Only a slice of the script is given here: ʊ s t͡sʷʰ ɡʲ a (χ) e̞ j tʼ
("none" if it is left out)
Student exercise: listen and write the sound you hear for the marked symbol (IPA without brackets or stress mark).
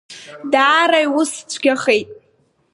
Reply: χ